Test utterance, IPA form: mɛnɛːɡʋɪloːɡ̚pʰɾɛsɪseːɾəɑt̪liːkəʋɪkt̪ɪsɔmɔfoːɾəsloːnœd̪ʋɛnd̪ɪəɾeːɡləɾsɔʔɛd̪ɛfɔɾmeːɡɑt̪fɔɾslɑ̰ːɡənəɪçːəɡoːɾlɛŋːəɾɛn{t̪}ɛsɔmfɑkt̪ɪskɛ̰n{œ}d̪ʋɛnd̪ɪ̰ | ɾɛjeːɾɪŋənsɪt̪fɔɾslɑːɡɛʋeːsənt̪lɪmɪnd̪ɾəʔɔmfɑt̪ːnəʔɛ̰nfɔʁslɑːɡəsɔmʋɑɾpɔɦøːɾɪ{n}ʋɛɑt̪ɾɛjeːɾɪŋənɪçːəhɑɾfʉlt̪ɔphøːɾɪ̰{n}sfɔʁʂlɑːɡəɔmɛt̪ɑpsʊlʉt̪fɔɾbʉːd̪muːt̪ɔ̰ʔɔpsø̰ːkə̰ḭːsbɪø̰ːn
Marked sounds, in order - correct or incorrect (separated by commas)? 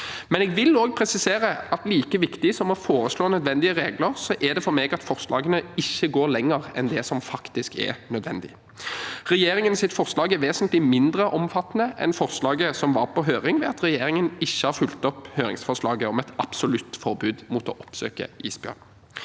incorrect, correct, incorrect, incorrect